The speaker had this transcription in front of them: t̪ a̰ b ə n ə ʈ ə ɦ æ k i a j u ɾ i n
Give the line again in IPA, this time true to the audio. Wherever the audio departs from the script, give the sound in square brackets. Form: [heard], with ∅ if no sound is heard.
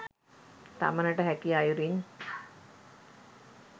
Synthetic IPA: t̪ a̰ [m] ə n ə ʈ ə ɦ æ k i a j u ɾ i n